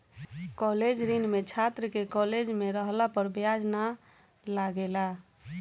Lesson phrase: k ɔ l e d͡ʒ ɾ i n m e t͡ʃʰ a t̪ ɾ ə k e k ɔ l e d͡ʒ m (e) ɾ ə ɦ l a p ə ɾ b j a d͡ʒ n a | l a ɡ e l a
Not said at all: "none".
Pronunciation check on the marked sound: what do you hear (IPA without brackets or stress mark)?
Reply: e